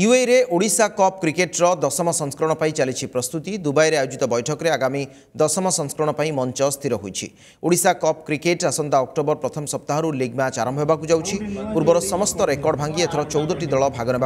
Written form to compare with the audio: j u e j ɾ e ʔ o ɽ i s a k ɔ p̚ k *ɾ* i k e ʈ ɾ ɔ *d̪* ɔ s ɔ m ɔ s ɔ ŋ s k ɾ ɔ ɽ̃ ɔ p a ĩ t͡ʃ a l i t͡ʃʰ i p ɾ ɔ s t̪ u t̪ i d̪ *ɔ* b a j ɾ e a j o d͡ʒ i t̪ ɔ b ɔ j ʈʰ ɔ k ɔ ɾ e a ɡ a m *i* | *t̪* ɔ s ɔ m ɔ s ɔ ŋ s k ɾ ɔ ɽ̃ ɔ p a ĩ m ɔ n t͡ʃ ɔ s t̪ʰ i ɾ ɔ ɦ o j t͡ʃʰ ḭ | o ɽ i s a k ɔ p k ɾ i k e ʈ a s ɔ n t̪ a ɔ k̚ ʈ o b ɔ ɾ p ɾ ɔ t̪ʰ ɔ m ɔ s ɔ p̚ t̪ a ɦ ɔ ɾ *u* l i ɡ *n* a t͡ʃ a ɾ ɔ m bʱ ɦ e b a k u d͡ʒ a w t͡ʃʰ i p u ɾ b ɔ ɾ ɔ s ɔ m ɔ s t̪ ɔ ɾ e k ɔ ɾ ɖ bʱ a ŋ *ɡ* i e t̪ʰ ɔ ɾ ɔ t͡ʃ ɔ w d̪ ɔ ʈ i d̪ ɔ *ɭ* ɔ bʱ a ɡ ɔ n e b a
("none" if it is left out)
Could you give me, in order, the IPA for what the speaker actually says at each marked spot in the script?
ɾ, d̪, u, i, d̪, u, m, ɡ, ɭ

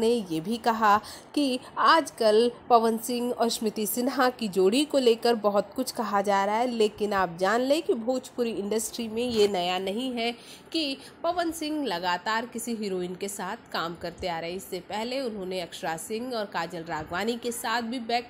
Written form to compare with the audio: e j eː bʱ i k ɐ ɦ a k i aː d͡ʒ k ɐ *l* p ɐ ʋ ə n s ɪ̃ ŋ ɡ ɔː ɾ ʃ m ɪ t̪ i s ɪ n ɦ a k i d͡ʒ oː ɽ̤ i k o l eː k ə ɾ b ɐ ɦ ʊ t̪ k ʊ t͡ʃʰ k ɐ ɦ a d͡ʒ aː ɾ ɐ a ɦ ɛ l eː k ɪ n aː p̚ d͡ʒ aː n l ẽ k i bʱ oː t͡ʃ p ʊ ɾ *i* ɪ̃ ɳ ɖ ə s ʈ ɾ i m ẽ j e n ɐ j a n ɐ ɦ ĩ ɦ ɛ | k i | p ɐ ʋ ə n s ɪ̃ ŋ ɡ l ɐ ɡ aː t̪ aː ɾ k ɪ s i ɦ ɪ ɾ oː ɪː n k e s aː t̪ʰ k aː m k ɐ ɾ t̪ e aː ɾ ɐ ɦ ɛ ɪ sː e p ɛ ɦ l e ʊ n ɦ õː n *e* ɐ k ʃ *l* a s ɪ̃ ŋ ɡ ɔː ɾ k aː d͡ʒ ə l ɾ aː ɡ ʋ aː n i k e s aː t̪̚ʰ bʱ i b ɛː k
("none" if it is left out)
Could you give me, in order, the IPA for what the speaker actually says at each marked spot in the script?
l, i, e, ɾ

